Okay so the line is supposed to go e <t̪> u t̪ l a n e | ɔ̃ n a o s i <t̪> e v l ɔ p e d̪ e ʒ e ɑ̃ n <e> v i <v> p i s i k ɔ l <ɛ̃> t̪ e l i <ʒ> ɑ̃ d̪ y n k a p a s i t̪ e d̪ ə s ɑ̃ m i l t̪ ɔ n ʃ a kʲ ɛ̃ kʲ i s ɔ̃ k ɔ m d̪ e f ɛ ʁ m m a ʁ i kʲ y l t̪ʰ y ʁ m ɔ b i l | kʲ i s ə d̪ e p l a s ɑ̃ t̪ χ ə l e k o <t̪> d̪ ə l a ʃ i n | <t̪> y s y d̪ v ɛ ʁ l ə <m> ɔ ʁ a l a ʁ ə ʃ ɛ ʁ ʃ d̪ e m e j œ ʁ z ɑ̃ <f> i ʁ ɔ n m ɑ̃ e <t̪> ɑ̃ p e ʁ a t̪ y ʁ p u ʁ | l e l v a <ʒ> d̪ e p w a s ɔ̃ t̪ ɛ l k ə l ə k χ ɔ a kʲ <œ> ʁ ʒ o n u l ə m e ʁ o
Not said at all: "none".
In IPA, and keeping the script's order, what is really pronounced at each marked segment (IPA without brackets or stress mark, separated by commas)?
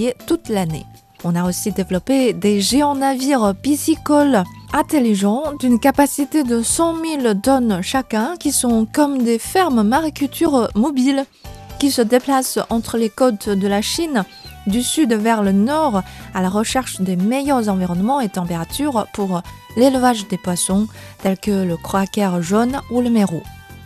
t̪, d̪, a, ʁ, ɛ̃, ʒ, t̪, d̪, n, v, t̪, ʒ, ɛ